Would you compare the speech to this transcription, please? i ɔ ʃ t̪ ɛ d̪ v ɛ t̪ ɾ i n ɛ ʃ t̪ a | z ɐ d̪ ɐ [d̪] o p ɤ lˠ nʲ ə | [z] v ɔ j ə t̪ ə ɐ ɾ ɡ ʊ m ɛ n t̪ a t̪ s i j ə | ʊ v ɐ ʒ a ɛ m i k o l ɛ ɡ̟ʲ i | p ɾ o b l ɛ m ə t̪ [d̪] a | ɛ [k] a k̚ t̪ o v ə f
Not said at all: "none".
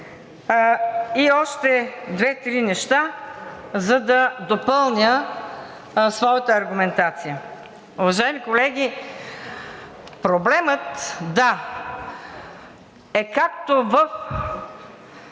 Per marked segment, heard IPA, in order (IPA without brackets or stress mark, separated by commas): d̪, s, d̪, k